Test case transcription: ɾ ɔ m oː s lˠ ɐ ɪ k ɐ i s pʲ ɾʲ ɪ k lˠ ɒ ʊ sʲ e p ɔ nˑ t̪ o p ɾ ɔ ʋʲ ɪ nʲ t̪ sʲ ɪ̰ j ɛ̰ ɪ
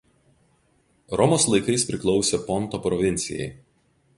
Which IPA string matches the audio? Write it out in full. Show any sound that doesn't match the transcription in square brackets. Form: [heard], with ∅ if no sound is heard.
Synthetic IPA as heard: ɾ ɔ m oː s lˠ ɐ ɪ k ɐ [ɪ] s pʲ ɾʲ ɪ k lˠ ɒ ʊ sʲ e p ɔ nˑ t̪ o p ɾ ɔ ʋʲ ɪ nʲ t̪ sʲ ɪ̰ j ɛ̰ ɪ

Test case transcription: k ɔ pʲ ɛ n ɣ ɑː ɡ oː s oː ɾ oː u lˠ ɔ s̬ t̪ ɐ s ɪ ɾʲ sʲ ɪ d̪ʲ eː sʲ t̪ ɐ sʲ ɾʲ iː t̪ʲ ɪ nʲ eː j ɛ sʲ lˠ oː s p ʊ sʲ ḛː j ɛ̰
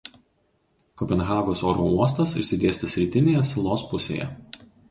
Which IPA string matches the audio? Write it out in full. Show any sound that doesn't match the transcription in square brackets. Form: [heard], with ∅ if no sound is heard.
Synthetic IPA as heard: k ɔ pʲ ɛ n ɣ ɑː ɡ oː s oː ɾ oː u [∅] ɔ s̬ t̪ ɐ s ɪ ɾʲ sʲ ɪ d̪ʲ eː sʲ t̪ ɐ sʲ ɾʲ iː t̪ʲ ɪ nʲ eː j ɛ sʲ lˠ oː s p ʊ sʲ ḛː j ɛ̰

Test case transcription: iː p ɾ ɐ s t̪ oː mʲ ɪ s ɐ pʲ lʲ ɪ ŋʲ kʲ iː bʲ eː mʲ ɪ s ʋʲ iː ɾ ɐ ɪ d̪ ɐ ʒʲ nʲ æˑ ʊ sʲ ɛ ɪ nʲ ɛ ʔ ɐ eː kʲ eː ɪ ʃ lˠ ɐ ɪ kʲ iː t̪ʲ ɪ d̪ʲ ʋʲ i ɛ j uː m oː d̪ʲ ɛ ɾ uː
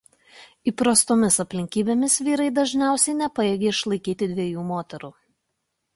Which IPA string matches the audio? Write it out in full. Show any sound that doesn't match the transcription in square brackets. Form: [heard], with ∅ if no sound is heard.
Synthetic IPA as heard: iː p ɾ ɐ s t̪ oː mʲ ɪ s ɐ pʲ lʲ ɪ ŋʲ kʲ iː bʲ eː mʲ ɪ s ʋʲ iː ɾ ɐ ɪ d̪ ɐ ʒʲ nʲ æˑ ʊ sʲ ɛ ɪ nʲ ɛ [p] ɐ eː [ɡʲ] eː ɪ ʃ lˠ ɐ ɪ kʲ iː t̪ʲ ɪ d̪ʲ ʋʲ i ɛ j uː m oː [t̪ʲ] ɛ ɾ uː

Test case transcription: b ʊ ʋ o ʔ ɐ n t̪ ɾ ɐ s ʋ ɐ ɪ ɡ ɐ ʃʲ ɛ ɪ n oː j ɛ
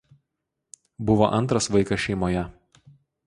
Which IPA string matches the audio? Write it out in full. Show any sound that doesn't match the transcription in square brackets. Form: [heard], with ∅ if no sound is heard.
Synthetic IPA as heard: b ʊ ʋ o ʔ ɐ n t̪ ɾ ɐ s ʋ ɐ ɪ [k] ɐ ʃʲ ɛ ɪ [m] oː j ɛ

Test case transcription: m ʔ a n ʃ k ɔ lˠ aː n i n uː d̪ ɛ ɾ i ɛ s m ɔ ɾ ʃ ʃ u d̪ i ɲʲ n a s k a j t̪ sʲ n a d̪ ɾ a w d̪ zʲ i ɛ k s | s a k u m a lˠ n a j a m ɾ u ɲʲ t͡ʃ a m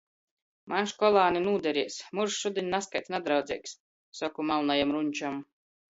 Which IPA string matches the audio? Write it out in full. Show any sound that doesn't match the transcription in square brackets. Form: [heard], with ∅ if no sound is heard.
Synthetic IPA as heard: m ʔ a n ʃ k ɔ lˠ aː n i n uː d̪ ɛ ɾ i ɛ s m [u] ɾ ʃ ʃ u d̪ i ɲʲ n a s k a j t̪ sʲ n a d̪ ɾ a w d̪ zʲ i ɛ k s | s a k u m a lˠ n a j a m ɾ u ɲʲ t͡ʃ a m

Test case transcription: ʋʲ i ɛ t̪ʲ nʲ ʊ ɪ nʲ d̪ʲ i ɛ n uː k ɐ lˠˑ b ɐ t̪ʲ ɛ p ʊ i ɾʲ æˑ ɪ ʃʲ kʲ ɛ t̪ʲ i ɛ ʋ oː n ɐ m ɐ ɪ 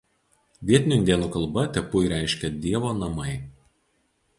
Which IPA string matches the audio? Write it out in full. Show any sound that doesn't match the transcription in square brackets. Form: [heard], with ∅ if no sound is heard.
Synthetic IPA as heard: ʋʲ i ɛ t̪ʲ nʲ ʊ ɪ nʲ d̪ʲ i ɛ n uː k ɐ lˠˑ b ɐ t̪ʲ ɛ p ʊ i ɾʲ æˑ ɪ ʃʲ kʲ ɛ [d̪ʲ] i ɛ ʋ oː n ɐ m ɐ ɪ

